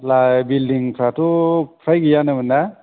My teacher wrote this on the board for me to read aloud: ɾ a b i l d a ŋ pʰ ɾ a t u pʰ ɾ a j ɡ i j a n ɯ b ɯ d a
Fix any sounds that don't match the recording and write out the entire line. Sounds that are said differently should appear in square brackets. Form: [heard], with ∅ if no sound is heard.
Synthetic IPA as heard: [l] a b i l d [i] ŋ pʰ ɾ a t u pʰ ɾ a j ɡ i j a n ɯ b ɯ [n] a